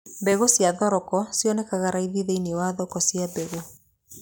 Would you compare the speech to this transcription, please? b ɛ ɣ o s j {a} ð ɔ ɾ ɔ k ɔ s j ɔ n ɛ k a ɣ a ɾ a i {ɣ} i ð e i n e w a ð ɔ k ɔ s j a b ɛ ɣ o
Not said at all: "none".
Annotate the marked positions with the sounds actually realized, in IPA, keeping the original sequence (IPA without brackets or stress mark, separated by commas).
a, ð